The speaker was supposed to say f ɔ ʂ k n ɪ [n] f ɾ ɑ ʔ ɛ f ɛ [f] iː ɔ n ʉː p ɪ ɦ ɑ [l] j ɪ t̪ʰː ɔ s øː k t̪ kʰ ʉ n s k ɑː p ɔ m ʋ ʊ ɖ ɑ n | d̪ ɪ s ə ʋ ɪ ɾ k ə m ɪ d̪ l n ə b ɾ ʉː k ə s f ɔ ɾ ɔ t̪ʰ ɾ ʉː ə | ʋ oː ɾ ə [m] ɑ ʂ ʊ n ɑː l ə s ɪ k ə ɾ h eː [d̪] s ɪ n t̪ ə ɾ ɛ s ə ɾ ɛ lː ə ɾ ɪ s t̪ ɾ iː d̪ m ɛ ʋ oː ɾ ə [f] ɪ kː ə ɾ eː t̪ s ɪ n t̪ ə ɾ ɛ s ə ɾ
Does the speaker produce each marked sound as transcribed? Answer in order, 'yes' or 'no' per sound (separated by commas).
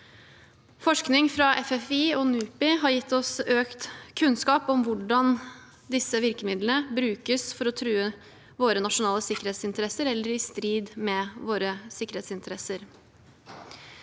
no, yes, no, no, no, no